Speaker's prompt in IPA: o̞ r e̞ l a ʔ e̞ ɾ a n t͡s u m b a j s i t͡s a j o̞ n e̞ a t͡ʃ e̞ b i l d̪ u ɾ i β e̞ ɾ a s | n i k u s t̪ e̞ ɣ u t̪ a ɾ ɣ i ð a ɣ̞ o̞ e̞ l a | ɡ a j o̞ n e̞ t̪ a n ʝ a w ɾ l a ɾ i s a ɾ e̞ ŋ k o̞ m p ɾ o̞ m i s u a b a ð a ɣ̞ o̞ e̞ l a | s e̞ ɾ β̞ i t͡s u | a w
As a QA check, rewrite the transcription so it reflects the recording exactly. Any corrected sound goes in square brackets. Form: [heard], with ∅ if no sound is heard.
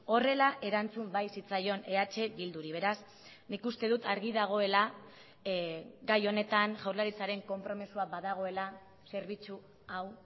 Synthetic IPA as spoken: o̞ r e̞ l a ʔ e̞ ɾ a n t͡s u m b a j s i t͡s a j o̞ n e̞ a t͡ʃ e̞ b i l d̪ u ɾ i β e̞ ɾ a s | n i k u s t̪ e̞ [ð] u t̪ a ɾ ɣ i ð a ɣ̞ o̞ e̞ l a | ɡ a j o̞ n e̞ t̪ a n ʝ a w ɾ l a ɾ i [t͡s] a ɾ e̞ ŋ k o̞ m p ɾ o̞ m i s u a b a ð a ɣ̞ o̞ e̞ l a | s e̞ ɾ β̞ i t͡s u | a w

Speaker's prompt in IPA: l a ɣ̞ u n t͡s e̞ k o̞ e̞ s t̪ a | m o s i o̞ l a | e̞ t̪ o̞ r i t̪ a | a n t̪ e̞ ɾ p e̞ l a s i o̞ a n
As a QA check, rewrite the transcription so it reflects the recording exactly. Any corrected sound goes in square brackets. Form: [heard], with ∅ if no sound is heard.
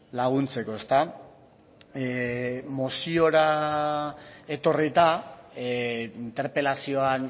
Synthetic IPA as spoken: l a ɣ̞ u n t͡s e̞ k o̞ e̞ s t̪ a | m o s i o̞ [ɾ] a | e̞ t̪ o̞ r i t̪ a | [i] n t̪ e̞ ɾ p e̞ l a s i o̞ a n

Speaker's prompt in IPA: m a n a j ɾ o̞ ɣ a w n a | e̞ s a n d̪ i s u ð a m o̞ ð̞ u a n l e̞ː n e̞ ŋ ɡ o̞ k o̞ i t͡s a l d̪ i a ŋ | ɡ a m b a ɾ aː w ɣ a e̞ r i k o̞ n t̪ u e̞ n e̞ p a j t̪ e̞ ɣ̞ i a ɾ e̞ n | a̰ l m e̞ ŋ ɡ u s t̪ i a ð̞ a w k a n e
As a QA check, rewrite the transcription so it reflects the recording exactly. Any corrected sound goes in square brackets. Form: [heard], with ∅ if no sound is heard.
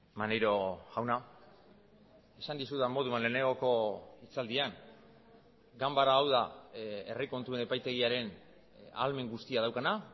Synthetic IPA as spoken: m a n [e] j ɾ o̞ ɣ a w n a | e̞ s a n d̪ i s u ð a m o̞ ð̞ u a n l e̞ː n e̞ ŋ ɡ o̞ k o̞ i t͡s a l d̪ i a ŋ | ɡ a m b a ɾ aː w [ð] a e̞ r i k o̞ n t̪ u e̞ n e̞ p a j t̪ e̞ ɣ̞ i a ɾ e̞ n | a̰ l m e̞ ŋ ɡ u s t̪ i a ð̞ a w k a n [a]

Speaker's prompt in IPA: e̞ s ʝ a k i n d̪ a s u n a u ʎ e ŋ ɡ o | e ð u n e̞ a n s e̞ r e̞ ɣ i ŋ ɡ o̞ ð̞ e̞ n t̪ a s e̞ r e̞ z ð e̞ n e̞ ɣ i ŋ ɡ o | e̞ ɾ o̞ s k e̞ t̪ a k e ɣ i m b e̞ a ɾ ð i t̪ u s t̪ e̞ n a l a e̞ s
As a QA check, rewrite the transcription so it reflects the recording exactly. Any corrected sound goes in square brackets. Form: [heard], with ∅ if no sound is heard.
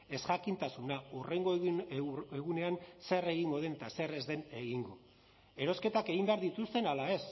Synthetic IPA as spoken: e̞ s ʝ a k i n [t̪] a s u n a u [r] e ŋ ɡ o | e [ɣ] u n e̞ a n s e̞ r e̞ ɣ i ŋ ɡ o̞ ð̞ e̞ n t̪ a s e̞ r e̞ z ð e̞ n e̞ ɣ i ŋ ɡ o | e̞ ɾ o̞ s k e̞ t̪ a k e ɣ i m b e̞ a ɾ ð i t̪ u s t̪ e̞ n a l a e̞ s

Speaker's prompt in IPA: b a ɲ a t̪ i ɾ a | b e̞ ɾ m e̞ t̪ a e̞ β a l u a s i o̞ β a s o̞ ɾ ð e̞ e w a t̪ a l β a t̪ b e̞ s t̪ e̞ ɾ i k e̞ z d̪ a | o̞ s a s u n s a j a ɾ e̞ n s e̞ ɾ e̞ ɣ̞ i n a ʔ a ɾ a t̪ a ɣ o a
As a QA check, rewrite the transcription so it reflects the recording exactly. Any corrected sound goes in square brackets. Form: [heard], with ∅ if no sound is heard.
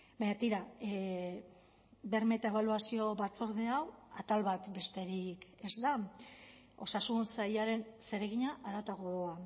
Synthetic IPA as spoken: b a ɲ a t̪ i ɾ a | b e̞ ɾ m e̞ t̪ a e̞ β a l u a s i o̞ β a [t͡s] o̞ ɾ ð e̞ [a] w a t̪ a l β a t̪ b e̞ s t̪ e̞ ɾ i k e̞ z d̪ a | o̞ s a s u n s a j a ɾ e̞ n s e̞ ɾ e̞ ɣ̞ i [ɲ] a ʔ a ɾ a t̪ a ɣ o a

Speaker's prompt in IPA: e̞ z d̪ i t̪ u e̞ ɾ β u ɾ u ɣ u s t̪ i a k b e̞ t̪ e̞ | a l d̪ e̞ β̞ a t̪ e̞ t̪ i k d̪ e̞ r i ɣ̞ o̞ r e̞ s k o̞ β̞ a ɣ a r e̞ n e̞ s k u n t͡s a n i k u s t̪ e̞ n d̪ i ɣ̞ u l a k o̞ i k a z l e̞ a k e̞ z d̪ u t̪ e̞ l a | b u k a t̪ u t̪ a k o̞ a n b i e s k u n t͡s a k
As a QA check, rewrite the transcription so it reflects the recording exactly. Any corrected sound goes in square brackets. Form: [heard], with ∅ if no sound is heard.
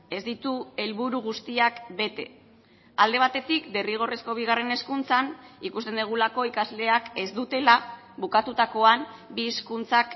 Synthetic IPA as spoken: e̞ z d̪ i t̪ u e̞ [l] β u ɾ u ɣ u s t̪ i a k b e̞ t̪ e̞ | a l d̪ e̞ β̞ a t̪ e̞ t̪ i k d̪ e̞ r i ɣ̞ o̞ r e̞ s k o̞ β̞ [i] ɣ a r e̞ n e̞ s k u n t͡s a n i k u s t̪ e̞ n d̪ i ɣ̞ u l a k o̞ i k a z l e̞ a k e̞ z d̪ u t̪ e̞ l a | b u k a t̪ u t̪ a k o̞ a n b i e s k u n t͡s a k

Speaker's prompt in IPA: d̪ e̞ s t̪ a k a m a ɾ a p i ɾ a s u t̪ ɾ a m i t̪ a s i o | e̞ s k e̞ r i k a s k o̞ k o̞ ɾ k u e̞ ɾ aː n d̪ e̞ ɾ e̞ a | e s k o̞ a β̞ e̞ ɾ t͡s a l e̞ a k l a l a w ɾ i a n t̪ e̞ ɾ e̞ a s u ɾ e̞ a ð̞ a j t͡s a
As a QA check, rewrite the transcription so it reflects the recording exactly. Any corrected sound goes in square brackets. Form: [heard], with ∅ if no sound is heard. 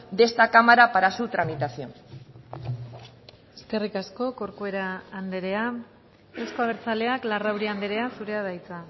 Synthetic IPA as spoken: d̪ e̞ s t̪ a k a m a ɾ a p [a] ɾ a s u t̪ ɾ a m i t̪ a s i o | e̞ s k e̞ r i k a s k o̞ k o̞ ɾ k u e̞ ɾ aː n d̪ e̞ ɾ e̞ a | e s k o̞ a β̞ e̞ ɾ t͡s a l e̞ a k l a [r] a w ɾ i a n [d̪] e̞ ɾ e̞ a s u ɾ e̞ a ð̞ a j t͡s a

